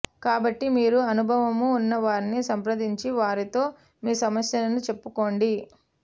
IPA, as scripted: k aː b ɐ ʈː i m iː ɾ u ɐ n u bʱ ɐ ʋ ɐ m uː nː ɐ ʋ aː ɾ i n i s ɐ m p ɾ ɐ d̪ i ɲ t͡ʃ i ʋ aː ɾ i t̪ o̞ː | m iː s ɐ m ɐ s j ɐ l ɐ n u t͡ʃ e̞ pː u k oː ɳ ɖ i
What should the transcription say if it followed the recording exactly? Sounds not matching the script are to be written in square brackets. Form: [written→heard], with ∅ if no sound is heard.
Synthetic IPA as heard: k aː b ɐ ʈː i m iː ɾ u ɐ n u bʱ ɐ ʋ ɐ m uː nː ɐ ʋ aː ɾ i n i s ɐ m p ɾ ɐ d̪ i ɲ t͡ʃ i ʋ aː ɾ i t̪ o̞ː | m iː s ɐ m ɐ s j ɐ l ɐ n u t͡ʃ e̞ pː u k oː ɳ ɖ i